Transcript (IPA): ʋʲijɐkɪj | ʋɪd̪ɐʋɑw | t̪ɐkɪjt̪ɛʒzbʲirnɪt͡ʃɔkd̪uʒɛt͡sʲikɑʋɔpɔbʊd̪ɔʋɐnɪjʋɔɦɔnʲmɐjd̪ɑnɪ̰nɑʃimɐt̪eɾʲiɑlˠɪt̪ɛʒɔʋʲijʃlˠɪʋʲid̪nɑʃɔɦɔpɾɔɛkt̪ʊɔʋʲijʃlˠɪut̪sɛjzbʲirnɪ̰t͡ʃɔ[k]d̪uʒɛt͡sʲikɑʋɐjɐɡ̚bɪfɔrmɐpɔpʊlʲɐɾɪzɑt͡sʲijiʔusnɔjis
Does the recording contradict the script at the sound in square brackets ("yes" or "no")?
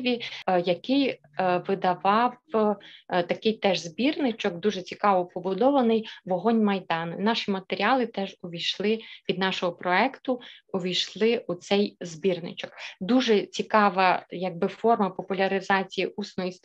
no